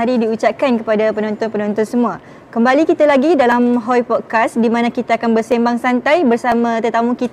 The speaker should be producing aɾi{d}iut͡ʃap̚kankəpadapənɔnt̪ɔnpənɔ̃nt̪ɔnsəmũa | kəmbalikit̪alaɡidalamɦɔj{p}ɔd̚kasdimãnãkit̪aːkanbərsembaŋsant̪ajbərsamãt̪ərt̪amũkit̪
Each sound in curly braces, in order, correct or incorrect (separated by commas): correct, correct